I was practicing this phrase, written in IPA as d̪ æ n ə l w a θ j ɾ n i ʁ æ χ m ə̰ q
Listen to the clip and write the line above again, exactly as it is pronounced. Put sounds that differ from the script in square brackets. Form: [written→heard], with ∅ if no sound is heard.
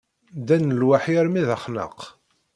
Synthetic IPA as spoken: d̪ æ n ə l w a [θ→ħ] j ɾ [n→m] i [ʁ→ð] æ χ [m→n] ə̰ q